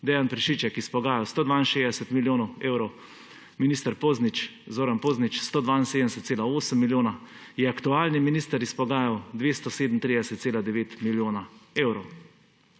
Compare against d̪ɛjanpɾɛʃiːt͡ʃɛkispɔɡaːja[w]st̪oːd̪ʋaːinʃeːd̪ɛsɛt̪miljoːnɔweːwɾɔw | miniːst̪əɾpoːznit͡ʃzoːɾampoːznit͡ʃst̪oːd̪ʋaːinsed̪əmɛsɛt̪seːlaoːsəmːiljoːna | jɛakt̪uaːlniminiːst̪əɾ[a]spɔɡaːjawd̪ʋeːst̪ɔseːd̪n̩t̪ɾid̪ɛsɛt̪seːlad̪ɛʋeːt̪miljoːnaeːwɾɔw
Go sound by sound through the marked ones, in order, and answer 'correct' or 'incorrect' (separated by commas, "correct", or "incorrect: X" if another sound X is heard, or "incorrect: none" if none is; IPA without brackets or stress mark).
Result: correct, incorrect: i